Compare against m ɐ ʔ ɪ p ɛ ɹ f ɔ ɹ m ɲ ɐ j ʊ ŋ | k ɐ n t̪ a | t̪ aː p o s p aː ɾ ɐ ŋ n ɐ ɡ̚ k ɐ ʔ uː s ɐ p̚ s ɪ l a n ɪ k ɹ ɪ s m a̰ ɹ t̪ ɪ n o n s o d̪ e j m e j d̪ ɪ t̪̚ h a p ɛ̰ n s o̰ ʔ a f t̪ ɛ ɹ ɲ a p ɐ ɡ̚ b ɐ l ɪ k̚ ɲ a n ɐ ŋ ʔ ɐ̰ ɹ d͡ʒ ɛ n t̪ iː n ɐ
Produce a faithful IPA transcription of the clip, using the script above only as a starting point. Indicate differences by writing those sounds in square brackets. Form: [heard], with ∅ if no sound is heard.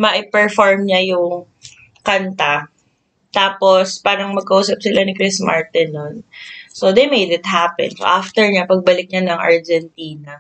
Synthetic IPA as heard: m ɐ ʔ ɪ p ɛ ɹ f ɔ ɹ m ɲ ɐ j ʊ ŋ | k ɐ n t̪ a | t̪ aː p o s p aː ɾ ɐ ŋ [m] ɐ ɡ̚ k ɐ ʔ uː s ɐ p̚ s ɪ l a n ɪ k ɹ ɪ s m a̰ ɹ t̪ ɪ n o n s o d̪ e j m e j d̪ ɪ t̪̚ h a p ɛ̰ n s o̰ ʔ a f t̪ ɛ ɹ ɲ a p ɐ ɡ̚ b ɐ l ɪ k̚ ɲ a n ɐ ŋ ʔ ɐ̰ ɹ d͡ʒ ɛ n t̪ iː n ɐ